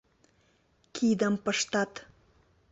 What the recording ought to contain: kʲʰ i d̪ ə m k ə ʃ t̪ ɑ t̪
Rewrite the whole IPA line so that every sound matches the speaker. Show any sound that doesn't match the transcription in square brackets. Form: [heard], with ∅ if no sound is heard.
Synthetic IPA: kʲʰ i d̪ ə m [p] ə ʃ t̪ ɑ t̪